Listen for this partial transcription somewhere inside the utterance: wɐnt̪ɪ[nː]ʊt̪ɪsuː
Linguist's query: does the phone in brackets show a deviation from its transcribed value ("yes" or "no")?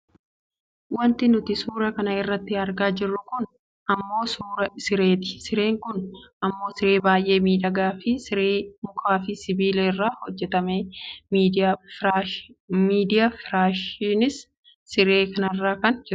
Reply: yes